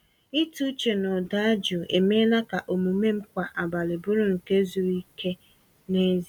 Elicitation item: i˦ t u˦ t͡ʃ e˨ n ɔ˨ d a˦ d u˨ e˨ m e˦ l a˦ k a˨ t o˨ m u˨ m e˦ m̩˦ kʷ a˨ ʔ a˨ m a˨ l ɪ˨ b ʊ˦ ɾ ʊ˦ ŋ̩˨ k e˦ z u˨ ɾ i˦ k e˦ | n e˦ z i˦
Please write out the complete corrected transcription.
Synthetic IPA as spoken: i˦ t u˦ t͡ʃ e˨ n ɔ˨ d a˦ d͡ʒ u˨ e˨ m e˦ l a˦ k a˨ ʔ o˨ m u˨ m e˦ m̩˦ kʷ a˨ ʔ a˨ b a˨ l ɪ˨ b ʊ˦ ɾ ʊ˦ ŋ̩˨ k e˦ z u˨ ɾ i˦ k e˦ | n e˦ z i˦